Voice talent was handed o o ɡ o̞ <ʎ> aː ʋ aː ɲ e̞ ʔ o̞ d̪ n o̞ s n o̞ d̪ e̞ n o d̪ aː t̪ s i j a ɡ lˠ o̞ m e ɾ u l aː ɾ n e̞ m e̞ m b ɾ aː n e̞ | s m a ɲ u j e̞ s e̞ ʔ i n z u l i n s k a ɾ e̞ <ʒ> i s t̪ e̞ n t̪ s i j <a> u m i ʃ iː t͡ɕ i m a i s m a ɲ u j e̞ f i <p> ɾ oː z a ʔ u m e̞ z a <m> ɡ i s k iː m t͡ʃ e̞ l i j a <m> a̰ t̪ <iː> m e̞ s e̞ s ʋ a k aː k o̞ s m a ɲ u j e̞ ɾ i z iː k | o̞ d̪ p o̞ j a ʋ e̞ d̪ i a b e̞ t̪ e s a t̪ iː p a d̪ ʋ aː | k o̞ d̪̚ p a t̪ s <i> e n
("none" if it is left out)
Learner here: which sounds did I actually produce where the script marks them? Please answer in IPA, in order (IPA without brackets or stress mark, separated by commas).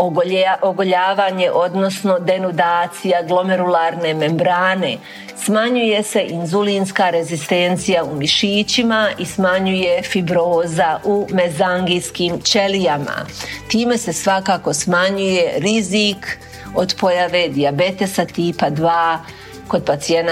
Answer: ʎ, z, a, b, ŋ, m, iː, i